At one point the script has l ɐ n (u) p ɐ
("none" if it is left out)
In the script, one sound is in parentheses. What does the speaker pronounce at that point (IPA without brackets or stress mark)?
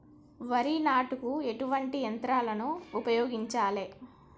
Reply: uː